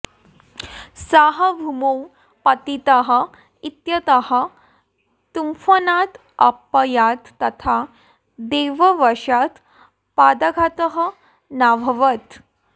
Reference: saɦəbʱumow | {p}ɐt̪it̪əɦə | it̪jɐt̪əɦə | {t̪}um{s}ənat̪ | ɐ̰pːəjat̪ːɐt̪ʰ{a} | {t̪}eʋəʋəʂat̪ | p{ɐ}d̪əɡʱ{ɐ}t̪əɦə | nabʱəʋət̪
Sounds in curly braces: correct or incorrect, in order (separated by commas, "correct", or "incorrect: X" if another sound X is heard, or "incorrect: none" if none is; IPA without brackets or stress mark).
correct, correct, incorrect: f, correct, incorrect: d̪, incorrect: a, incorrect: a